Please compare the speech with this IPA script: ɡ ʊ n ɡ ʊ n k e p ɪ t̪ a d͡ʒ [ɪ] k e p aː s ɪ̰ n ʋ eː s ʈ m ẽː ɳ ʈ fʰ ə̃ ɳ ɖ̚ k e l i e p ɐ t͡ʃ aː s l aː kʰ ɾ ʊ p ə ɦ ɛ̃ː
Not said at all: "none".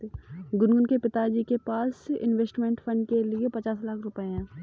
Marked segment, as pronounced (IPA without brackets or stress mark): i